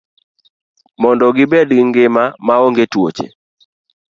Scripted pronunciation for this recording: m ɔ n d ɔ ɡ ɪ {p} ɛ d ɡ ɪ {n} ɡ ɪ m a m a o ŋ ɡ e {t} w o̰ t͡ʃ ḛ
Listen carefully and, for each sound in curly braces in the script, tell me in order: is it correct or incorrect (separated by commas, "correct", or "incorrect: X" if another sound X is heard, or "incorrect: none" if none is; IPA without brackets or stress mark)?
incorrect: b, incorrect: ŋ, correct